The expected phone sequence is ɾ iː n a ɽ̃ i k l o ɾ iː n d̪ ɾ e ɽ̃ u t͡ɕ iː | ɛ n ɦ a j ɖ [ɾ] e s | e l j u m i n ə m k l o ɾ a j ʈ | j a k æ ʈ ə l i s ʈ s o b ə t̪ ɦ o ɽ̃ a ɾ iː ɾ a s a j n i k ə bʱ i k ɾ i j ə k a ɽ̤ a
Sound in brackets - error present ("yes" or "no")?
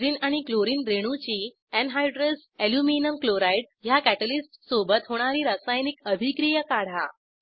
no